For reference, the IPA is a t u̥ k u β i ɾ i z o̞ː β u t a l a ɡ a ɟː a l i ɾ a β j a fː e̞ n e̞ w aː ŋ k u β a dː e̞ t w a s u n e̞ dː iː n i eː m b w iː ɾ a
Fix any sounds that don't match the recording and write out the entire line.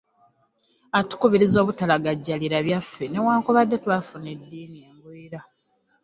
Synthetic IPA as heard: a t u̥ k u β i ɾ i z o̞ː β u t a l a ɡ a ɟː a l i ɾ a β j a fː e̞ n e̞ w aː ŋ k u β a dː e̞ t w a f u n e̞ dː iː n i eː m b w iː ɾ a